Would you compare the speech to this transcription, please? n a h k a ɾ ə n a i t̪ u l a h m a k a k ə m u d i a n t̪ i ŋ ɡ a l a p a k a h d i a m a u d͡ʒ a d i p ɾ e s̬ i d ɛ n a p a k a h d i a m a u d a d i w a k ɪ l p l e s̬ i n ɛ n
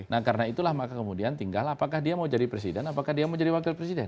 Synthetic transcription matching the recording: n a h k a ɾ ə n a i t̪ u l a h m a k a k ə m u d i a n t̪ i ŋ ɡ a l a p a k a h d i a m a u d͡ʒ a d i p ɾ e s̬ i d ɛ n a p a k a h d i a m a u d͡ʒ a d i w a k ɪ l p ɾ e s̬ i d ɛ n